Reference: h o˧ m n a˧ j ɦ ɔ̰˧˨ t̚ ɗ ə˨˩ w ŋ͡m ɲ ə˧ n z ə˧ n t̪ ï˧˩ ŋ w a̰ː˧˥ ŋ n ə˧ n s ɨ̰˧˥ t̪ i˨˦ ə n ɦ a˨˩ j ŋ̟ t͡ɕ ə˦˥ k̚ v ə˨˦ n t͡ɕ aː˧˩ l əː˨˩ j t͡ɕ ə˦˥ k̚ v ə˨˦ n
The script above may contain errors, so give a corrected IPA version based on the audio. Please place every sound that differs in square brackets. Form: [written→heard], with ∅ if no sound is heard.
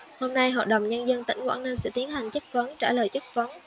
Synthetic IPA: h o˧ m n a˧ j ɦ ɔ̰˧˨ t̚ ɗ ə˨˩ w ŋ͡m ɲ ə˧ n z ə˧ n t̪ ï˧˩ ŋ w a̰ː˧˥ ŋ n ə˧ n s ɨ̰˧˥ t̪ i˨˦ ə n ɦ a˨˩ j ŋ̟ t͡ɕ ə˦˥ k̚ v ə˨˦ n t͡ɕ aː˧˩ l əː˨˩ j t͡ɕ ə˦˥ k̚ v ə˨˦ n